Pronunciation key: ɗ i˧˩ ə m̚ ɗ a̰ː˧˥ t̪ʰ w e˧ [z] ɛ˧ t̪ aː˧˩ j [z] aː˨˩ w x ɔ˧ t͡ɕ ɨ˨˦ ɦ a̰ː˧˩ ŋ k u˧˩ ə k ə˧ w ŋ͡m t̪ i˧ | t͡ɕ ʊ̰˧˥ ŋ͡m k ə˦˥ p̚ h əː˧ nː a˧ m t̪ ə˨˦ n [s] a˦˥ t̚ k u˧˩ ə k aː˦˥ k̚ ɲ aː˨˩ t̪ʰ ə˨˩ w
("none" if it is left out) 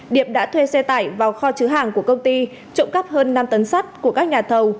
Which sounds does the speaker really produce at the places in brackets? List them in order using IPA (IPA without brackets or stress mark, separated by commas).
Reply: s, v, s